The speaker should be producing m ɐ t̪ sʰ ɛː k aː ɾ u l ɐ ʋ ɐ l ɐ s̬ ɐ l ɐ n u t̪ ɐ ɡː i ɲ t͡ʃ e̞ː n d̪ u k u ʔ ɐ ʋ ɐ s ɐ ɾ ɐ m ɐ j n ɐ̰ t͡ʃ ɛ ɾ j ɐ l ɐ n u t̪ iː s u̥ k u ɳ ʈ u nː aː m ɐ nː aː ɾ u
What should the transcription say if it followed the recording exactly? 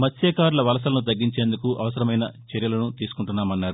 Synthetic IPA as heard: m ɐ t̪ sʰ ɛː k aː ɾ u l ɐ ʋ ɐ l ɐ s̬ ɐ l ɐ n u t̪ ɐ ɡː i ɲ t͡ʃ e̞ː n d̪ u k u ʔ ɐ ʋ ɐ s ɐ ɾ ɐ m ɐ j n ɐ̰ t͡ʃ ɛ ɾ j ɐ l ɐ n u t̪ iː s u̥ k u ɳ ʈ u nː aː m ɐ nː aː ɾ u